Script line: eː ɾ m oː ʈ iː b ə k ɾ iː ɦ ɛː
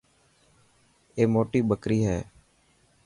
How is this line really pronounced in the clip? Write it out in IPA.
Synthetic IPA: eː m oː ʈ iː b ə k ɾ iː ɦ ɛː